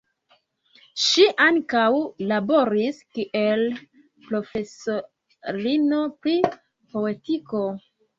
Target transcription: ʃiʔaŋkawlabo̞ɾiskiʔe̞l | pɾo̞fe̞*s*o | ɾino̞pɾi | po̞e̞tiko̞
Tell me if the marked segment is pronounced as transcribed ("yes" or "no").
yes